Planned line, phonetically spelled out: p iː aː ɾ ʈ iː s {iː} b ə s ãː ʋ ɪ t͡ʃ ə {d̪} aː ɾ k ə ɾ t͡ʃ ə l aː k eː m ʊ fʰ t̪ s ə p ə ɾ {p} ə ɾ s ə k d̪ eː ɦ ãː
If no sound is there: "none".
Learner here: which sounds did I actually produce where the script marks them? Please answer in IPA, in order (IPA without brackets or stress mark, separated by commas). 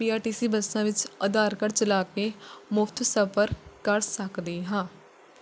iː, d̪, k